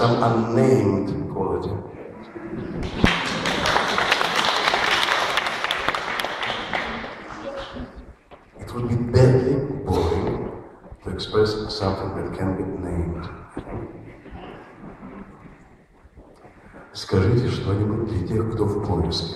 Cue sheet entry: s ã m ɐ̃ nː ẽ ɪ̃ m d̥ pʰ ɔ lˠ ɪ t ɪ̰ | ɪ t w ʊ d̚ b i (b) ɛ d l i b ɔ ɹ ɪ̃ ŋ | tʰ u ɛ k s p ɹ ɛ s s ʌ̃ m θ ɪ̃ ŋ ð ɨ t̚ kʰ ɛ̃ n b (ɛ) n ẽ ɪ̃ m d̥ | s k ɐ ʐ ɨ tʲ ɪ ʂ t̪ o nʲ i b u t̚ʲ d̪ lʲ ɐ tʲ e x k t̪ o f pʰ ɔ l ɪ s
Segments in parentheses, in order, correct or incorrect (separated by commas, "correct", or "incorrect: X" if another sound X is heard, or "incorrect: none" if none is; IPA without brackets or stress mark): correct, incorrect: i